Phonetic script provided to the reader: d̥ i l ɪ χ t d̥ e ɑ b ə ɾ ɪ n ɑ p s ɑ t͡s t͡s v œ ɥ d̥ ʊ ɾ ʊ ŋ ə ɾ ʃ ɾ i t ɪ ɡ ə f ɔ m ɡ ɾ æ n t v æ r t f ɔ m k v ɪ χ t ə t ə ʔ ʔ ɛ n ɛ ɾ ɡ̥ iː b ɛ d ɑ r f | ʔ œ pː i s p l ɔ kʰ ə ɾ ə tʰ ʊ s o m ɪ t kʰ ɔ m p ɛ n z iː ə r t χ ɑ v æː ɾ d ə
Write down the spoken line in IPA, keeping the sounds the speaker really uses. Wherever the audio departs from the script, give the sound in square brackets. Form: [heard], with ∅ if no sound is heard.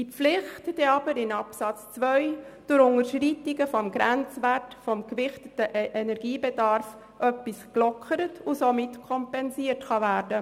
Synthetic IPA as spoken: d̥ i l ɪ χ t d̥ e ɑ b ə ɾ ɪ n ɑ p s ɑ t͡s t͡s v œ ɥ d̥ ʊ ɾ ʊ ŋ ə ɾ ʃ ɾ i t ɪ ɡ ə f ɔ m ɡ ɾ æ n [t͡s] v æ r t f ɔ m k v ɪ χ t ə t ə ʔ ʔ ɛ n ɛ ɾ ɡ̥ iː b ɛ d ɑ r f | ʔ œ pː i s [k] l ɔ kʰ ə ɾ ə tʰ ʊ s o m ɪ t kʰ ɔ m p ɛ n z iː ə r t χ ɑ v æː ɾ d ə